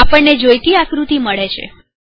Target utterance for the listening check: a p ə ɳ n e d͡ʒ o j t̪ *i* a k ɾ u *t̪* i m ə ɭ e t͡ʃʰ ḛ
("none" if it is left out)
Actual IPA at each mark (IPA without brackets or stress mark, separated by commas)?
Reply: i, t̪